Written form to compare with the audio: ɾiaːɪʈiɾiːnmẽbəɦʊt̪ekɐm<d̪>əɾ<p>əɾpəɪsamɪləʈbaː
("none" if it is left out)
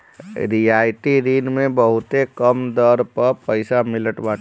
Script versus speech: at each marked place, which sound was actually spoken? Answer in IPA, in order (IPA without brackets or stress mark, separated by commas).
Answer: d̪, p